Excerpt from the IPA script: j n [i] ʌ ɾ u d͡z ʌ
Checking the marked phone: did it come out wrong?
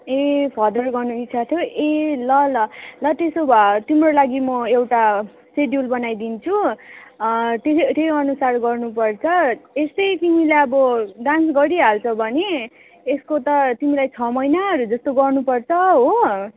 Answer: yes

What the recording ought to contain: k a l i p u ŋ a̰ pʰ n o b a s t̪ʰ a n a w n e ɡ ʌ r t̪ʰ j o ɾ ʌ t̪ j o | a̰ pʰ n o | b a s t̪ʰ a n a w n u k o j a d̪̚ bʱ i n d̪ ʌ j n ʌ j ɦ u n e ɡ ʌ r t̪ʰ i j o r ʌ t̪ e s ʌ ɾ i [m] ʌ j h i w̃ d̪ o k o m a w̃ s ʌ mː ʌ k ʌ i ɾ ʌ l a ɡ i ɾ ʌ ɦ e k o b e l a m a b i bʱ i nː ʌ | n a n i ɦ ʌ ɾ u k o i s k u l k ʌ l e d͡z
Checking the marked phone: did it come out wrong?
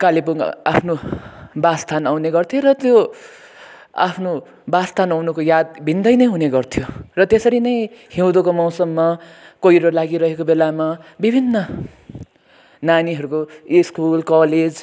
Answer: yes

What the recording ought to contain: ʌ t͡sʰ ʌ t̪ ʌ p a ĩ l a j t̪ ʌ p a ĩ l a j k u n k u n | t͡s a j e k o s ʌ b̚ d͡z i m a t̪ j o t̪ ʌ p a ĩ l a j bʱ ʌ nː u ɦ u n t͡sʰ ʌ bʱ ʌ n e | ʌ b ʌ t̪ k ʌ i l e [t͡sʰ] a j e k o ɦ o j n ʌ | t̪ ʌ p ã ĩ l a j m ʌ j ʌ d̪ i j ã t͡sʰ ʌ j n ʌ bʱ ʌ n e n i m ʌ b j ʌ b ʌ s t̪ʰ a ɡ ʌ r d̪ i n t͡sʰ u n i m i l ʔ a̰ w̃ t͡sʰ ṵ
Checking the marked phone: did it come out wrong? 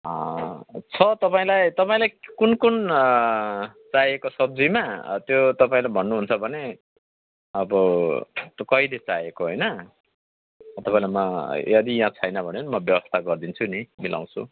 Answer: yes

